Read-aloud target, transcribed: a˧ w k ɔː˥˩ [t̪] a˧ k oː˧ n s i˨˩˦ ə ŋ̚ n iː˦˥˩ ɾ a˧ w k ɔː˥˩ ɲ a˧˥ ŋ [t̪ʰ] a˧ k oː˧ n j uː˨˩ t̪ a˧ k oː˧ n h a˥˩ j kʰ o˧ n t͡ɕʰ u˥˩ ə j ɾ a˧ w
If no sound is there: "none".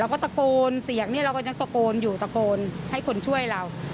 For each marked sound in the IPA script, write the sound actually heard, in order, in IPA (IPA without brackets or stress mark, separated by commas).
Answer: t̪, t̪